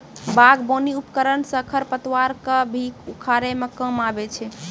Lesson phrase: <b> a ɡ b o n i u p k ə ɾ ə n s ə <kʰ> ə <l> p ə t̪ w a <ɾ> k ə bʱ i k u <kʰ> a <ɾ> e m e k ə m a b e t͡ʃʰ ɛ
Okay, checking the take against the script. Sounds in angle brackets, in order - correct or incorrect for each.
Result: correct, correct, incorrect, correct, correct, correct

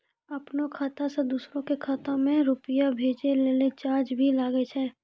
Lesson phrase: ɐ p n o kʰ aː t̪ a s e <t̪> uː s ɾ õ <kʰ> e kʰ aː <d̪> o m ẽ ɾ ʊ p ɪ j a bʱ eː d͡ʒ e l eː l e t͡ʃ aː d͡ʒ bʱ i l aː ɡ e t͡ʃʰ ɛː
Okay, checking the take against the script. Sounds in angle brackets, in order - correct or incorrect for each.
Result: incorrect, incorrect, incorrect

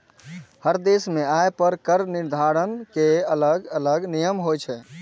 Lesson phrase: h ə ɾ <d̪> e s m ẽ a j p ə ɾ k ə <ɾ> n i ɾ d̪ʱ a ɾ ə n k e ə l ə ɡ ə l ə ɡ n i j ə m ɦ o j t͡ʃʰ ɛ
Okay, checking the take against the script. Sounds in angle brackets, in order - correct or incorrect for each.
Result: correct, correct

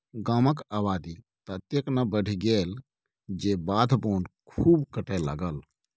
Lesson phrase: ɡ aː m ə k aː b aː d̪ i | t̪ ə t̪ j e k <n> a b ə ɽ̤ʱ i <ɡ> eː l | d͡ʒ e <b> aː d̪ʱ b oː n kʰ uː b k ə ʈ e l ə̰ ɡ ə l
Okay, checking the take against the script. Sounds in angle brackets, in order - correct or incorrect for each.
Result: correct, correct, correct

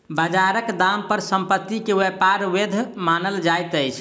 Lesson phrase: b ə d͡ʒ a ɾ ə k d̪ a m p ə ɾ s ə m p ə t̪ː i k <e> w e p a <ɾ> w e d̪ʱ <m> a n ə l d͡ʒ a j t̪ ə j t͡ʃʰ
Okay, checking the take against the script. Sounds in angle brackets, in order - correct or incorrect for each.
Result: correct, correct, correct

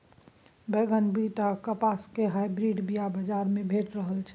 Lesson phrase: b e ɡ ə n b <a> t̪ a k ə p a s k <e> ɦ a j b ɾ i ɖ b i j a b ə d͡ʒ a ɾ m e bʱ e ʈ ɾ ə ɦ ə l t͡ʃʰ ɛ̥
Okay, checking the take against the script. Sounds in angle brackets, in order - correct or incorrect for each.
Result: incorrect, correct

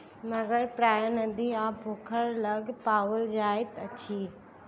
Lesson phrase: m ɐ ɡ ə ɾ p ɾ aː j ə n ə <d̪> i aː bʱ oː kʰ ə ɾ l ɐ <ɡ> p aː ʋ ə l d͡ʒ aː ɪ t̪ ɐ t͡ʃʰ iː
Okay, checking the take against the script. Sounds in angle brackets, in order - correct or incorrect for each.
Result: correct, correct

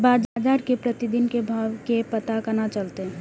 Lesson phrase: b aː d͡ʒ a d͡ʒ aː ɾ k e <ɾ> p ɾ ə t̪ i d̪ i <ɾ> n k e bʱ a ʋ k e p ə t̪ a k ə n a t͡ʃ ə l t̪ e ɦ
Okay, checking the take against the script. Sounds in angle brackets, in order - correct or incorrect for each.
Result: incorrect, incorrect

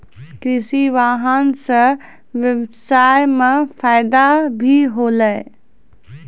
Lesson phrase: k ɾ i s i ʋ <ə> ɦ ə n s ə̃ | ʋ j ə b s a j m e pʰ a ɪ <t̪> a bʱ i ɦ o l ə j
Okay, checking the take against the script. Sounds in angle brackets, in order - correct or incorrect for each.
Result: incorrect, incorrect

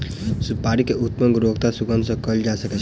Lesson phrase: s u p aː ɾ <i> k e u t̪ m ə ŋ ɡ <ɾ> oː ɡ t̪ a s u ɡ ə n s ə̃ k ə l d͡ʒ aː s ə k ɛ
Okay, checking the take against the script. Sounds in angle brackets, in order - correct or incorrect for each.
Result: correct, correct

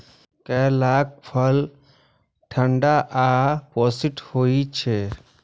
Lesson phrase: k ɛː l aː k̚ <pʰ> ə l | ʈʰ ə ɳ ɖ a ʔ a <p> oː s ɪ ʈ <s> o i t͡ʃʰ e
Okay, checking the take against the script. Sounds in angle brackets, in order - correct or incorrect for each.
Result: correct, correct, incorrect

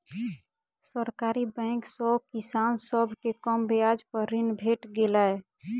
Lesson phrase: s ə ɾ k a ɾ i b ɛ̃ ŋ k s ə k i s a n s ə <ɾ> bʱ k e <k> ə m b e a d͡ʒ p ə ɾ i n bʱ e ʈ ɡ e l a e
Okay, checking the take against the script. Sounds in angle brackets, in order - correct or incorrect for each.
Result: incorrect, correct

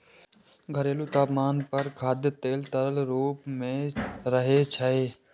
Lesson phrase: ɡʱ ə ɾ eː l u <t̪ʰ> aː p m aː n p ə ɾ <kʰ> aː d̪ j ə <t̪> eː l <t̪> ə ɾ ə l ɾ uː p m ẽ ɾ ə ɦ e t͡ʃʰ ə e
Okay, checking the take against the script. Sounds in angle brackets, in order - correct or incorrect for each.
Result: incorrect, correct, correct, correct

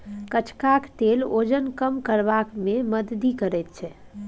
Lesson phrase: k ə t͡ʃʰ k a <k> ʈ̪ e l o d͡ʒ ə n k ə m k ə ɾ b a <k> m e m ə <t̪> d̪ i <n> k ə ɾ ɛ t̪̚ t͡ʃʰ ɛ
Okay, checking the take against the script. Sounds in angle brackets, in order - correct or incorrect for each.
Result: correct, correct, incorrect, incorrect

